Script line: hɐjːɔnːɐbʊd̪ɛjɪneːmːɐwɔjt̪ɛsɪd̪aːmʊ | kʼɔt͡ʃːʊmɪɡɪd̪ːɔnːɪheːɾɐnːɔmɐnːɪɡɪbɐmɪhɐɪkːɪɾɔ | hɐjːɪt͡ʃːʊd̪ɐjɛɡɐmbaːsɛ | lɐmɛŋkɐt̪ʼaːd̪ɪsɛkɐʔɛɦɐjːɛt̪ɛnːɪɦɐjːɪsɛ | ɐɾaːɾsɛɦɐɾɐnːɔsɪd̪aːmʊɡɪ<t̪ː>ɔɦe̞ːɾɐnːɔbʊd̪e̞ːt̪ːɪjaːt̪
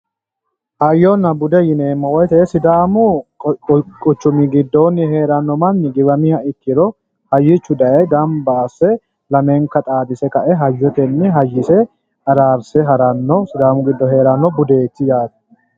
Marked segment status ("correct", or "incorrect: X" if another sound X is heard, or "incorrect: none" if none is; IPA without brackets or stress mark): incorrect: d̪ː